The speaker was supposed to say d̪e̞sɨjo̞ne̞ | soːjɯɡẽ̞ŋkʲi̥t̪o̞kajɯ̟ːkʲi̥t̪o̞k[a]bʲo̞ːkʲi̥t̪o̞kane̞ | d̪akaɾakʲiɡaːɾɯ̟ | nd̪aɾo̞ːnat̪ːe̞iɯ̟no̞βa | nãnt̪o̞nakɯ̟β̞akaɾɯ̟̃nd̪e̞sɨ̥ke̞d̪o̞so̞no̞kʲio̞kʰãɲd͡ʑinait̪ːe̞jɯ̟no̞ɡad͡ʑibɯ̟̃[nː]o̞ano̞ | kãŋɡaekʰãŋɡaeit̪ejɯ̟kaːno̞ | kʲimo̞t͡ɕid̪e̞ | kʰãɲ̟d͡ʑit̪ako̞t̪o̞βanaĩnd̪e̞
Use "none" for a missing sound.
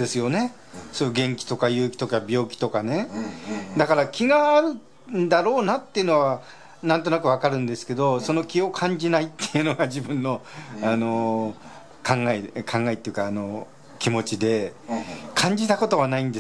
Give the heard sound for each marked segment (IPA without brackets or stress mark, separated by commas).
a, nː